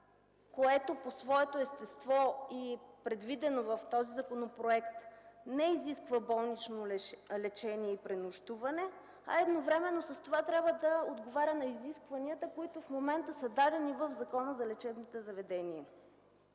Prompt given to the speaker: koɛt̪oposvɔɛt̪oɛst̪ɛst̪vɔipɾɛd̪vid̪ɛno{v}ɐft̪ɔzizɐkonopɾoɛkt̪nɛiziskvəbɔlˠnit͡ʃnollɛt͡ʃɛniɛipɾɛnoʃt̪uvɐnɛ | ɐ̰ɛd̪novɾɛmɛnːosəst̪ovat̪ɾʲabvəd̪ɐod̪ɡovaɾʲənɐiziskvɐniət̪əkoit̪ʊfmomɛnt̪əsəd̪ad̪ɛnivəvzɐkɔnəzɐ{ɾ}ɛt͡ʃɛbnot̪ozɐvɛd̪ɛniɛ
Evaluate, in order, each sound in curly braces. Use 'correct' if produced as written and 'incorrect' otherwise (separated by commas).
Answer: correct, incorrect